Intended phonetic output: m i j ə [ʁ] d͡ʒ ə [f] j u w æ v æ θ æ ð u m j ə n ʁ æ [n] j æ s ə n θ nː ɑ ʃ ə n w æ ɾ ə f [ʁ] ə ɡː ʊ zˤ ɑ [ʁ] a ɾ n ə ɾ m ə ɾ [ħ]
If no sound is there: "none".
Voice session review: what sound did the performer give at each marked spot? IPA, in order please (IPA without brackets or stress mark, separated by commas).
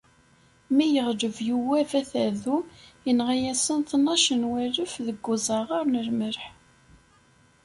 ʁ, v, none, ð, ʁ, ħ